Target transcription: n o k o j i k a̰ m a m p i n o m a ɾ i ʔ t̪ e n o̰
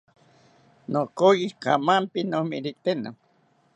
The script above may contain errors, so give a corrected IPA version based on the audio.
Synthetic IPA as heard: n o k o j i k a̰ m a m p i n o m i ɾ i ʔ t̪ e n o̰